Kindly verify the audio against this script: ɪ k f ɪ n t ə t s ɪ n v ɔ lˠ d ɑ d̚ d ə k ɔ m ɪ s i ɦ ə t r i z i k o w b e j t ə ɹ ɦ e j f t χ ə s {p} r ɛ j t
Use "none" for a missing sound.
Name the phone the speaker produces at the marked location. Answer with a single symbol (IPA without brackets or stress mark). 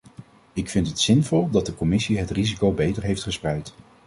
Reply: p